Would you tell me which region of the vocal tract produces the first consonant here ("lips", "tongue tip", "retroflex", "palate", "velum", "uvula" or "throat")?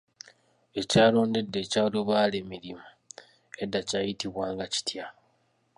palate